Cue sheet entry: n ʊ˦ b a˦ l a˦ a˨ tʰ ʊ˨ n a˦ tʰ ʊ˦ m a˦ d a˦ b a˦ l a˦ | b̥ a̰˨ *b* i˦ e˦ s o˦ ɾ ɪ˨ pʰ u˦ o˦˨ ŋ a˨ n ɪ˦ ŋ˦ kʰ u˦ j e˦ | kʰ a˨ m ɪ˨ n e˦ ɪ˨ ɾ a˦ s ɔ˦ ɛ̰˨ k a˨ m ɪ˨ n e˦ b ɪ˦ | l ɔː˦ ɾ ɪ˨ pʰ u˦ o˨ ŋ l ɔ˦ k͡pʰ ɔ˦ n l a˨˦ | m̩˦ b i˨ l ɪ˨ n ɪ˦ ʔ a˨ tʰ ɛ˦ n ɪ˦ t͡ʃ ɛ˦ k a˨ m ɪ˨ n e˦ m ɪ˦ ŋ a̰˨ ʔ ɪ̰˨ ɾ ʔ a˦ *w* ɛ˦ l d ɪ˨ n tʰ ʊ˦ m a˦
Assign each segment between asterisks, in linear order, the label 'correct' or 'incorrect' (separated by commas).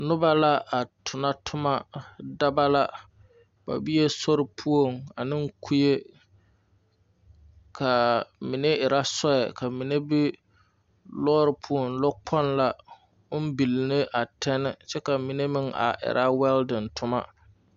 correct, correct